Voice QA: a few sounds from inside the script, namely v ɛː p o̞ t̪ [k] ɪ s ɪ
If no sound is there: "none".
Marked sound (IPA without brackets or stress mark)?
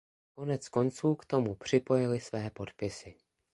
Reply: p